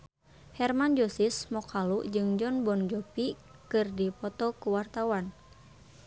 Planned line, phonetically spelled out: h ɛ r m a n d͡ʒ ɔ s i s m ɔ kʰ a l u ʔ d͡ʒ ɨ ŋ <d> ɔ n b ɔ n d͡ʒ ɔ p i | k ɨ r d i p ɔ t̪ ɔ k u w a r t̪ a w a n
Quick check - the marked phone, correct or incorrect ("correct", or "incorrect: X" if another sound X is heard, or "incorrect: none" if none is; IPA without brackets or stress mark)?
incorrect: d͡ʒ